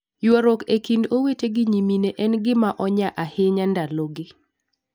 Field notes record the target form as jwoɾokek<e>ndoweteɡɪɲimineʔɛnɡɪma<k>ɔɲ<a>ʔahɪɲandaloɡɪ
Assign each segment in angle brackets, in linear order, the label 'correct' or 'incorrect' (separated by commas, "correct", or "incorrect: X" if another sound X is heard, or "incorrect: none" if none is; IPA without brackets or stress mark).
incorrect: i, incorrect: ʔ, correct